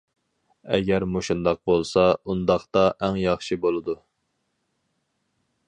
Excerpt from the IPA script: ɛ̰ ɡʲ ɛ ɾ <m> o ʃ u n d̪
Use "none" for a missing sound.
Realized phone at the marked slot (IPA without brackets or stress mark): m